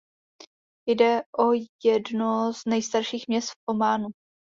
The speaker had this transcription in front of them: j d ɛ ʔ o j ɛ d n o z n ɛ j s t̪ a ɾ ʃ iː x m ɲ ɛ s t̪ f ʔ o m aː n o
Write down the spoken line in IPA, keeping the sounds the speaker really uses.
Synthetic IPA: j d ɛ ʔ o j ɛ d n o z n ɛ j s t̪ a ɾ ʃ iː x m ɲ ɛ s t̪ f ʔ o m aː n u